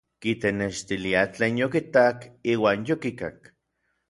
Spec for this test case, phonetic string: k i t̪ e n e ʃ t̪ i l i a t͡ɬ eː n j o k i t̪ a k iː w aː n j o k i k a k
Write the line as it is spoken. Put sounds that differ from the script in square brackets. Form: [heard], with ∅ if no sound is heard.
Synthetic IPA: k i t̪ e n e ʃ t̪ i l i a t͡ɬ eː n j o k i t̪ a k iː w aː n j o k i k a k